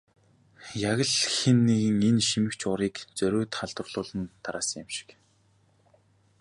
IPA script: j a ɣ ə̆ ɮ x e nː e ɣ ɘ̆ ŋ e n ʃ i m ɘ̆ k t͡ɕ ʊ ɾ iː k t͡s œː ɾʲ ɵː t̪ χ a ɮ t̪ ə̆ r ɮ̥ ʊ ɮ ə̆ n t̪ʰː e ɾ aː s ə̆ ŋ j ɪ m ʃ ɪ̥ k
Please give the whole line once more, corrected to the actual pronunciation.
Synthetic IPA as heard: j a ɣ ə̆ ɮ x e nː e ɣ ɘ̆ ŋ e n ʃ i m ɘ̆ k t͡ɕ ʊ ɾ iː k t͡s œ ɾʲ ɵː t̪ χ a ɮ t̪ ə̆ r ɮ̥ ʊː ɮ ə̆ n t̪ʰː a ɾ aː s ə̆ ŋ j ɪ m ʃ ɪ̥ k